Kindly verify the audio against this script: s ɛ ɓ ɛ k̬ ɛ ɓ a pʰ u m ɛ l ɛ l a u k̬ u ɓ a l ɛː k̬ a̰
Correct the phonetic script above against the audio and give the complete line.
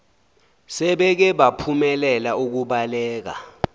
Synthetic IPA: s ɛ ɓ ɛ k̬ ɛ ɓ a pʰ u m ɛ l ɛ l a u k̬ u ɓ a l ɛː k̬ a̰